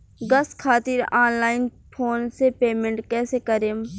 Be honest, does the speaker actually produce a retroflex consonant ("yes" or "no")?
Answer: yes